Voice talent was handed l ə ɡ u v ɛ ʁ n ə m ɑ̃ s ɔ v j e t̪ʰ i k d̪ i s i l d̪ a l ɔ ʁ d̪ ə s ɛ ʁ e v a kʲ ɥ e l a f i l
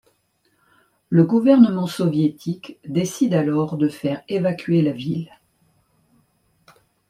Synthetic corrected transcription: l ə ɡ u v ɛ ʁ n ə m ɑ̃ s ɔ v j e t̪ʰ i k d̪ e s i d̪ a l ɔ ʁ d̪ ə f ɛ ʁ e v a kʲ ɥ e l a v i l